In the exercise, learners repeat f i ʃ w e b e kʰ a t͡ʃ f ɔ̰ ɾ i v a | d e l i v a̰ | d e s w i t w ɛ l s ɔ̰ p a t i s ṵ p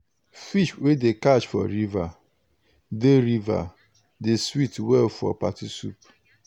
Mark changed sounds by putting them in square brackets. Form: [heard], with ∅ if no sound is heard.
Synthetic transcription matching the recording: f i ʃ w e [d] e [k] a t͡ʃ f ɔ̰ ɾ i v a | d e [ɾ] i v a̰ | d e s w i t w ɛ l [f] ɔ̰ p a t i s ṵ p